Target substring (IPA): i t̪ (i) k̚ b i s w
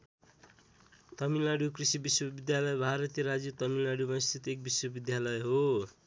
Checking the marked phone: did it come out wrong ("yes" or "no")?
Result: yes